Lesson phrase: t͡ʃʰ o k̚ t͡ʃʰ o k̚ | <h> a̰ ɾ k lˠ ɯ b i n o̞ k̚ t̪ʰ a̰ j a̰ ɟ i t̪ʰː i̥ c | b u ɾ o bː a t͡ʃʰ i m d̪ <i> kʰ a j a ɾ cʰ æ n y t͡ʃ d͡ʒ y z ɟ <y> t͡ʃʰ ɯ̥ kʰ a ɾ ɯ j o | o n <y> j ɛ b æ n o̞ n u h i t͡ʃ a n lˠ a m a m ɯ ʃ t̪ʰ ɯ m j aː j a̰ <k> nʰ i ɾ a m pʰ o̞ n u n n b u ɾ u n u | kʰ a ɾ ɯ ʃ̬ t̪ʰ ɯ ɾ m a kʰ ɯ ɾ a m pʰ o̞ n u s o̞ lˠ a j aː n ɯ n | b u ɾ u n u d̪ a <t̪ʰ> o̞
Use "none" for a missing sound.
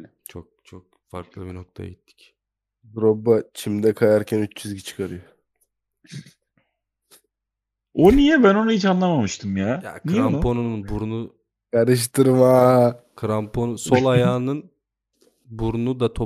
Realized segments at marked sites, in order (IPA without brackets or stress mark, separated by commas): f, ɛ, i, i, k, t̪ʰ